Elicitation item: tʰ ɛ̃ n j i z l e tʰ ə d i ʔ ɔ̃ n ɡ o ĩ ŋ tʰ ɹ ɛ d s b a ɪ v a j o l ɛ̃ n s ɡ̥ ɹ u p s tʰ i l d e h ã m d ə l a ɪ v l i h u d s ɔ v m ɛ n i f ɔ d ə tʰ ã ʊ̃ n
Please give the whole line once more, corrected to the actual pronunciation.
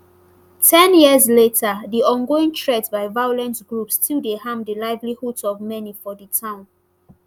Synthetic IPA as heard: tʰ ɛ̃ n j i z l e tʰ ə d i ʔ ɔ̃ n ɡ o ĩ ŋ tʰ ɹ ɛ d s b a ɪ v a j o l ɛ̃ n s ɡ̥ ɹ u p s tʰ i l d e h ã m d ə l a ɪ v l i h u d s ɔ v m ɛ n i f ɔ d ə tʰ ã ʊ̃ n

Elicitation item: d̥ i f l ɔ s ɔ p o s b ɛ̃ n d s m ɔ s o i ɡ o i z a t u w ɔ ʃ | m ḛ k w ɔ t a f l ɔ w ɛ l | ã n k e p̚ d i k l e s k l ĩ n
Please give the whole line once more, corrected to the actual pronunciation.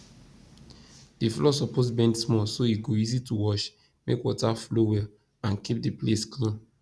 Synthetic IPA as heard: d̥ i f l ɔ s ɔ p o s b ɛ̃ n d s m ɔ s o i ɡ o i z i t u w ɔ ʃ | m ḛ k w ɔ t a f l o w ɛ l | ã n k i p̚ d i p l e s k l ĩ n

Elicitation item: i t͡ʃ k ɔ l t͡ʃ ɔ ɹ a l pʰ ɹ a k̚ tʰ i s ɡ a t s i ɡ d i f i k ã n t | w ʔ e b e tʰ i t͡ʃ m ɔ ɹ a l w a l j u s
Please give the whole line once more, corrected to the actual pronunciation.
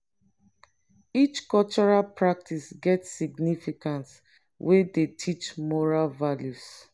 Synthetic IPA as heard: i t͡ʃ k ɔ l t͡ʃ ɔ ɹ a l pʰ ɹ a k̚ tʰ i s ɡ ɛ t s i ɡ n i f i k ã n t | w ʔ e d e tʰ i t͡ʃ m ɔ ɹ a l v a l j u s

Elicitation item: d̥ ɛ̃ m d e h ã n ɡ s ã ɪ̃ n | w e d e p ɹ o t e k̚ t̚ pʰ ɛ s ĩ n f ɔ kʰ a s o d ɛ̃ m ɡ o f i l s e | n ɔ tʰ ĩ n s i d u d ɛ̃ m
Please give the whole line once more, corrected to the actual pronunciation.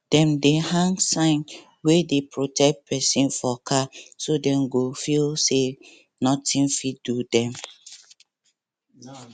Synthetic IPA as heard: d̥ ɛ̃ m d e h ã ŋ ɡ s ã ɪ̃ n | w e d e p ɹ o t ɛ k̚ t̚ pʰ ɛ s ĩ n f ɔ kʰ a s o d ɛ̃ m ɡ o f i l s e | n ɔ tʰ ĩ n f i d u d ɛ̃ m

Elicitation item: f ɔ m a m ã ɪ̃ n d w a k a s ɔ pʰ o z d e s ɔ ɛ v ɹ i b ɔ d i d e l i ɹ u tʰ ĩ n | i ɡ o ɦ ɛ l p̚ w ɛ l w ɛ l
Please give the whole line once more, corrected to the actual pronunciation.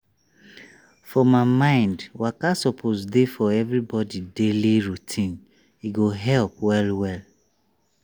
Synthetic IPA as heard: f ɔ m a m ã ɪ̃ n d w a k a s ɔ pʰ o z d e f ɔ ɛ v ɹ i b ɔ d i d e l i ɹ u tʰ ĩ n | i ɡ o ɦ ɛ l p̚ w ɛ l w ɛ l

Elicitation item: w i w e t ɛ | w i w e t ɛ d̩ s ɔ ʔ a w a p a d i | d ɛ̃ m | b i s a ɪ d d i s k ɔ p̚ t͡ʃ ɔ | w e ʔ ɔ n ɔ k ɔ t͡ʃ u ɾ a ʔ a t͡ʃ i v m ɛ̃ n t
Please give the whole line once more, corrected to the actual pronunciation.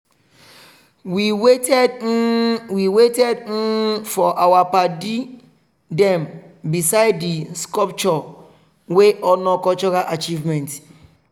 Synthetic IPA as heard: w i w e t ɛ | w i w e t ɛ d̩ f ɔ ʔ a w a p a d i | d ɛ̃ m | b i s a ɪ d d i s k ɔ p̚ t͡ʃ ɔ | w e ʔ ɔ n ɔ k ɔ t͡ʃ ɔ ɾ a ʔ a t͡ʃ i v m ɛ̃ n t

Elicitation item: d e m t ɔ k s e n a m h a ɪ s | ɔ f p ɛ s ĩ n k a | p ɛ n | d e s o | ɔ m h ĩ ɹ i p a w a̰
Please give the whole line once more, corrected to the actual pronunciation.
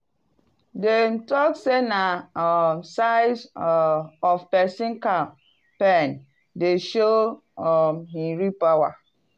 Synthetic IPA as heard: d e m t ɔ k s e n a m s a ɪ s | ɔ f p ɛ s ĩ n k a | p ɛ n | d e ʃ o | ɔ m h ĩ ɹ i p a w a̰

